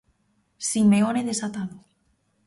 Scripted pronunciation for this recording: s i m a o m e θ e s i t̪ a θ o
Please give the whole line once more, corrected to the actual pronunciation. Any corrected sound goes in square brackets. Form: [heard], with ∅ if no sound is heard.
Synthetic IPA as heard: s i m [e] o [n] e [ð] e s [a] t̪ a [ð] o